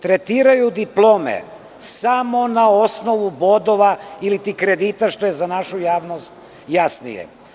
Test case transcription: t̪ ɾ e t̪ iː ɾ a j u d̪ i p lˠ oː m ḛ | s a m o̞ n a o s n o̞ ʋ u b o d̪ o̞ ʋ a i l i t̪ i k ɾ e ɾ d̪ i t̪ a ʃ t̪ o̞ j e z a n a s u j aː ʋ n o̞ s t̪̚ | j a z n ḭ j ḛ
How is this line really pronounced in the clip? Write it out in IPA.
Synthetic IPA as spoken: t̪ ɾ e t̪ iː ɾ a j u d̪ i p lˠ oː m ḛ | s a m o̞ n a o s n o̞ ʋ u b o d̪ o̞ ʋ a i l i t̪ i k ɾ e d̪ i t̪ a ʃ t̪ o̞ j e z a n a ʃ u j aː ʋ n o̞ s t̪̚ | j a s n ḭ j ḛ